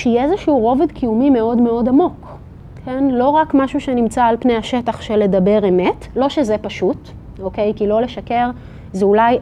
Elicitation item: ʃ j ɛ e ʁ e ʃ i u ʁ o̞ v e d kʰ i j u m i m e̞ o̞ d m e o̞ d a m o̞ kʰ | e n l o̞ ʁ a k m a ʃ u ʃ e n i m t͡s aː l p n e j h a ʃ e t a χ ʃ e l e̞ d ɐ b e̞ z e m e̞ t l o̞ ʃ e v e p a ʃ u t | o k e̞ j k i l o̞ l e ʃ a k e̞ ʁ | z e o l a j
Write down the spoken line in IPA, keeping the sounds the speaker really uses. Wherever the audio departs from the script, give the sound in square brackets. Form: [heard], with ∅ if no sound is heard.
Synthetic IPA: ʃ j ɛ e [z] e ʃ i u ʁ o̞ v e d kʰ i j u m i m e̞ o̞ d m e o̞ d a m o̞ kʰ | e n l o̞ ʁ a k m a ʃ u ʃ e n i m t͡s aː l p n e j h a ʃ e t a χ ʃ e l e̞ d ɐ b e̞ [ʁ] e m e̞ t l o̞ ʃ e [z] e p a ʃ u t | o k e̞ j k i l o̞ l e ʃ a k e̞ ʁ | z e [u] l a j